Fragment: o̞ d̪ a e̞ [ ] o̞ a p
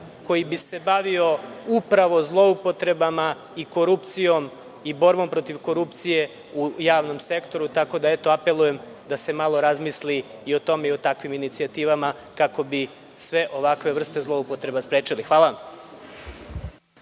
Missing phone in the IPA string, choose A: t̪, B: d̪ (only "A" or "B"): A